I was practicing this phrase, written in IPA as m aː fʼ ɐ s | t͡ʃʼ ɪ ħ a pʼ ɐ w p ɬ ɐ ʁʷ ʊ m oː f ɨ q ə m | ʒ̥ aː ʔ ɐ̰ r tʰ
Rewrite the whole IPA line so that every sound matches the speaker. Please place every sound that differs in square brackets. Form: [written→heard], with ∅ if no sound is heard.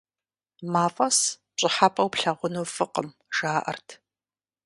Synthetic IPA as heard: m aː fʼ ɐ s | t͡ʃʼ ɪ ħ a pʼ ɐ w p ɬ ɐ ʁʷ ʊ [m→n] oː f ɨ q ə m | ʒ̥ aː ʔ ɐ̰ r tʰ